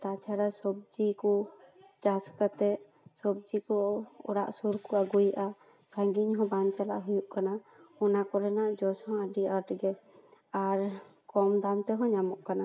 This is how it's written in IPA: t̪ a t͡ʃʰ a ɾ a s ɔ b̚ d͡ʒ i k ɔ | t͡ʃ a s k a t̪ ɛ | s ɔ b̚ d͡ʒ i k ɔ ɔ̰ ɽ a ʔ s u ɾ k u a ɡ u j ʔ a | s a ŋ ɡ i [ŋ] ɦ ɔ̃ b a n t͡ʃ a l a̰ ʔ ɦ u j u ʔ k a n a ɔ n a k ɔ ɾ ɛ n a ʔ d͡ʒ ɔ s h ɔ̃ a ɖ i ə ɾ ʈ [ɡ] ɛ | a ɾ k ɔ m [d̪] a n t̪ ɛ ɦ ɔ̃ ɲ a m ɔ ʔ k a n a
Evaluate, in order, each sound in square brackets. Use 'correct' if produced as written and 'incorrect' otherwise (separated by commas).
incorrect, correct, correct